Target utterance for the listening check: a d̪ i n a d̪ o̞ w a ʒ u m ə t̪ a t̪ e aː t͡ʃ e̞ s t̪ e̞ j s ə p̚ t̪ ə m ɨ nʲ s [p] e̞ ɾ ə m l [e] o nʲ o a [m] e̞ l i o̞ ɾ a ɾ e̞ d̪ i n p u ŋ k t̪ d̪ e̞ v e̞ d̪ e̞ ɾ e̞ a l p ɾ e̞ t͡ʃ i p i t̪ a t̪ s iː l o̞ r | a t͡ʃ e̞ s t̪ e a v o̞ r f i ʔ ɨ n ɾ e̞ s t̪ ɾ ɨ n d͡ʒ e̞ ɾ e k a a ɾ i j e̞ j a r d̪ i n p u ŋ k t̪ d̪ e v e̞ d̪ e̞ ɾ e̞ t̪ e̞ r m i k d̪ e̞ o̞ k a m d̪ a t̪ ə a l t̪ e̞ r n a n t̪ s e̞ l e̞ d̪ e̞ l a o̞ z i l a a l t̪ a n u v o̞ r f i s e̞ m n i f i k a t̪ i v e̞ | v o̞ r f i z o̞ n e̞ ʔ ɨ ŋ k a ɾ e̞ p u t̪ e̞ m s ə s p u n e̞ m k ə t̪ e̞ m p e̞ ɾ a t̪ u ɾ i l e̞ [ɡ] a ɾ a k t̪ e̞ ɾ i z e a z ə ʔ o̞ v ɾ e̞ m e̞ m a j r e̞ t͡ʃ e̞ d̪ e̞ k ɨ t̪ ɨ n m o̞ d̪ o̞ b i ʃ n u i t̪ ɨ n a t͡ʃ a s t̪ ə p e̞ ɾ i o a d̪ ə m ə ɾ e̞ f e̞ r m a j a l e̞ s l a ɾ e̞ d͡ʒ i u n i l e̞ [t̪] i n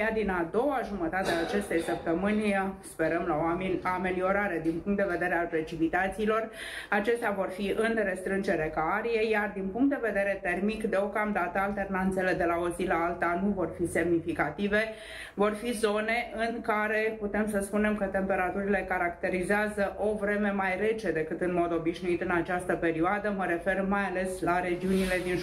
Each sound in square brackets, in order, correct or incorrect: correct, incorrect, correct, incorrect, incorrect

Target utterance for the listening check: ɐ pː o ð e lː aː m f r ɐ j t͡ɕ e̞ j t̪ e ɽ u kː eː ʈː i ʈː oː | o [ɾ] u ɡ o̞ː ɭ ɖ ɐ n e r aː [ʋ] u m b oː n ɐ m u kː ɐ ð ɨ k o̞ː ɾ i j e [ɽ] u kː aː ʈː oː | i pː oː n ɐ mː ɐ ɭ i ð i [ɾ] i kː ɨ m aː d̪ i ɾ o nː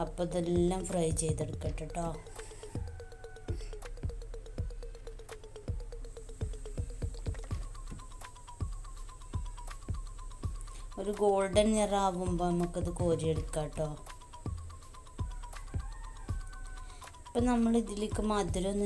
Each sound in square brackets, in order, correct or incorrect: correct, correct, correct, incorrect

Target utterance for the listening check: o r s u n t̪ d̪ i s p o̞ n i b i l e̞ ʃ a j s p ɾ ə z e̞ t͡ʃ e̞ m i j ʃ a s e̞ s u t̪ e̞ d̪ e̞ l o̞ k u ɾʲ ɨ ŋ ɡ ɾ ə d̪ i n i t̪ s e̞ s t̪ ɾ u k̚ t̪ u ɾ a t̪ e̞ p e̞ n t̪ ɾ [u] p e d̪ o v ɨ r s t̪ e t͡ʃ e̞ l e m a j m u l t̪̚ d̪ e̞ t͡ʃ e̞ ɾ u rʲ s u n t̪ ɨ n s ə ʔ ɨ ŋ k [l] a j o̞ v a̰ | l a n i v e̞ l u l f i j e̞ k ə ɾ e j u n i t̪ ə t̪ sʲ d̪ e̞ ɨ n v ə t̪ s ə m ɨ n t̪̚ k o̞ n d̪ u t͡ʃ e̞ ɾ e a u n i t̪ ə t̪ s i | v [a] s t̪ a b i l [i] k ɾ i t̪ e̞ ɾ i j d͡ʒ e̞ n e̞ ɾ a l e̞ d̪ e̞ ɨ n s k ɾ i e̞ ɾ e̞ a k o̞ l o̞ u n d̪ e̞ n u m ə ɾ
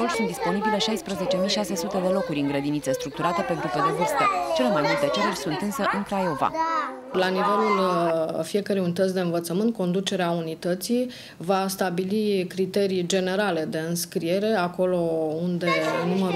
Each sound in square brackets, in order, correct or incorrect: correct, incorrect, correct, correct

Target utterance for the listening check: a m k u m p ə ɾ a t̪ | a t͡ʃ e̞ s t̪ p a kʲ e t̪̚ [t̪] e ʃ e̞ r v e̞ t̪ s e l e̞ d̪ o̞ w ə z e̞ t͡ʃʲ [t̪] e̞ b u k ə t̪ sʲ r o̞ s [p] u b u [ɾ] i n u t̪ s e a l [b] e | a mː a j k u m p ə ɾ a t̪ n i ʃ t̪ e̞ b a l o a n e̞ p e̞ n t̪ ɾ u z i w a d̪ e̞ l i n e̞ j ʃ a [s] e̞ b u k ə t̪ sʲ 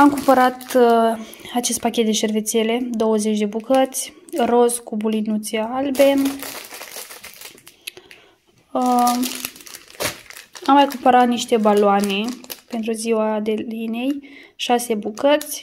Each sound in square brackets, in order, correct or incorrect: incorrect, incorrect, incorrect, incorrect, correct, correct

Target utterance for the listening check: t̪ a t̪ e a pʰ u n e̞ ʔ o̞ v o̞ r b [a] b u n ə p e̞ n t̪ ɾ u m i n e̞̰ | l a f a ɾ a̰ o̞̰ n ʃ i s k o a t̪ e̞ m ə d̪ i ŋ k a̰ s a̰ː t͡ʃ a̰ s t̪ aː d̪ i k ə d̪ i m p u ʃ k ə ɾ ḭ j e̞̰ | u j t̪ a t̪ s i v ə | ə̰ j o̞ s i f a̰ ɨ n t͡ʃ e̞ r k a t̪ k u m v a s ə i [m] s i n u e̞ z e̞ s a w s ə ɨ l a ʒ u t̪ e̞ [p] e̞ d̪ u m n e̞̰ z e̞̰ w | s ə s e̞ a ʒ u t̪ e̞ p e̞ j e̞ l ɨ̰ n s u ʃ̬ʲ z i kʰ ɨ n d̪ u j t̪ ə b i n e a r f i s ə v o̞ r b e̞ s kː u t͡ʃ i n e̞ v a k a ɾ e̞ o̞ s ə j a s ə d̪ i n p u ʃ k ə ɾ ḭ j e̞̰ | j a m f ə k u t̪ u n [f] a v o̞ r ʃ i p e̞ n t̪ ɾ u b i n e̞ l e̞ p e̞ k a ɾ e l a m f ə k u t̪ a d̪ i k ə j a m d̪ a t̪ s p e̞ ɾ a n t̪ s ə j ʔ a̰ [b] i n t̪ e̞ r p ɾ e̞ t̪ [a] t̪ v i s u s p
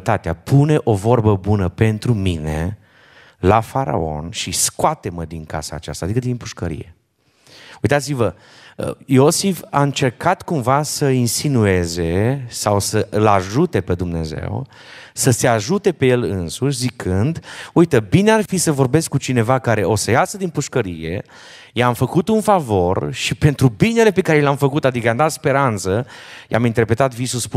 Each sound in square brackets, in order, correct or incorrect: incorrect, incorrect, correct, correct, incorrect, correct

